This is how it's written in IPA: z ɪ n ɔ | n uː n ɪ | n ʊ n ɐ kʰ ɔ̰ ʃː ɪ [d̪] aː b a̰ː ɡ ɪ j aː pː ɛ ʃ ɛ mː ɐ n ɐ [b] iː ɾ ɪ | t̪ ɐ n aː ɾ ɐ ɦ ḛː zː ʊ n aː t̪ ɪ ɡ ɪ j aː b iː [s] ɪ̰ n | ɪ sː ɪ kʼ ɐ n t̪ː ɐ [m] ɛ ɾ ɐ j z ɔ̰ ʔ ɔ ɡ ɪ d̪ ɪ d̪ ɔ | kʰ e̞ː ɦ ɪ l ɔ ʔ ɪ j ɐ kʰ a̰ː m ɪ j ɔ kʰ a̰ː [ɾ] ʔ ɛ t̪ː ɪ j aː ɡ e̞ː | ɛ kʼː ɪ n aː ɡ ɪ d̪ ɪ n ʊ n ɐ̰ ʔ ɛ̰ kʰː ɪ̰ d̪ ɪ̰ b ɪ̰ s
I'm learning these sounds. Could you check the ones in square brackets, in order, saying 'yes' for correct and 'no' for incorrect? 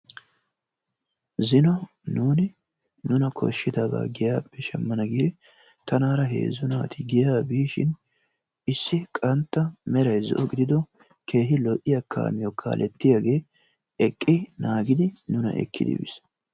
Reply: yes, no, no, yes, no

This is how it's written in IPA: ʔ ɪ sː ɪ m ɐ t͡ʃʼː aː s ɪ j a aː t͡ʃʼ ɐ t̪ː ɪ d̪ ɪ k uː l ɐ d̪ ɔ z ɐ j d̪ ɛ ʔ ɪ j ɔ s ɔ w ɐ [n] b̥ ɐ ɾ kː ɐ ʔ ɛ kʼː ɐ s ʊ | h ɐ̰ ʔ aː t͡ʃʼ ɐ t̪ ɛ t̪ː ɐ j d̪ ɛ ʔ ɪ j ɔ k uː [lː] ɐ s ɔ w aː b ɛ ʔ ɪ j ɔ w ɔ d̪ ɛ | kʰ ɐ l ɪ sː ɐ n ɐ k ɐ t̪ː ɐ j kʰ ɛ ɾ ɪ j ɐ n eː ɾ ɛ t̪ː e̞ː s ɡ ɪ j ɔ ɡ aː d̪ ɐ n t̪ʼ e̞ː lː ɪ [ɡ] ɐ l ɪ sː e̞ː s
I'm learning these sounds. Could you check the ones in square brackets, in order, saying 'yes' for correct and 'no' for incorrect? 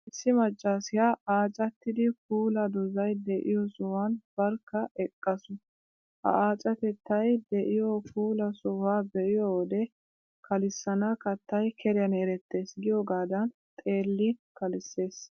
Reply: yes, no, no

